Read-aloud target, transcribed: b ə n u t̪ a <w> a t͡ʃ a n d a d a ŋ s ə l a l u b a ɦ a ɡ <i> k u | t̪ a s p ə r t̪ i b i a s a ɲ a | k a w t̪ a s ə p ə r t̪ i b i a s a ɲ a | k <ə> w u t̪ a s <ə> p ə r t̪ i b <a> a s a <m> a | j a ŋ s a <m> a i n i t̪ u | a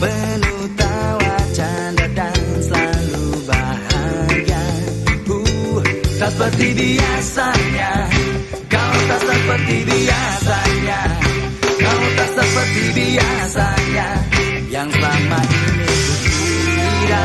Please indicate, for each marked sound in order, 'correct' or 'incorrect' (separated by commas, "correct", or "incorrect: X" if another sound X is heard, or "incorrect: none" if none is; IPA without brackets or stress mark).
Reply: correct, incorrect: a, incorrect: a, correct, incorrect: i, incorrect: ɲ, correct